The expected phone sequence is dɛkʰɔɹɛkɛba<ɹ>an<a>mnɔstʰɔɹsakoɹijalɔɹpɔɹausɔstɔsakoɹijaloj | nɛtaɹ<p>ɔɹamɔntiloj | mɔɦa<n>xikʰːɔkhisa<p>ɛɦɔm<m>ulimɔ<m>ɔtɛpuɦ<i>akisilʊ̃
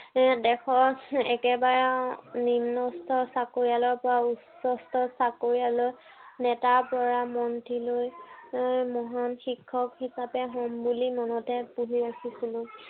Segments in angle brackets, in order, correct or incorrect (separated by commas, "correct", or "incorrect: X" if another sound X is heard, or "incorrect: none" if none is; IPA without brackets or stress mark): correct, incorrect: i, correct, correct, correct, incorrect: b, incorrect: n, correct